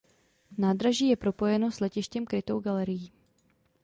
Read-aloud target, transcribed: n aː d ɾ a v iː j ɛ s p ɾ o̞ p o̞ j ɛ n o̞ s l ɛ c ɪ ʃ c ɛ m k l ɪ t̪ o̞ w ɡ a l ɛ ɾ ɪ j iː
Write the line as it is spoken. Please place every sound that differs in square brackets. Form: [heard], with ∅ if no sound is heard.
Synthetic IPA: n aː d ɾ a [ʒ] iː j ɛ [∅] p ɾ o̞ p o̞ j ɛ n o̞ s l ɛ c ɪ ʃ c ɛ m k [ɾ] ɪ t̪ o̞ w ɡ a l ɛ ɾ ɪ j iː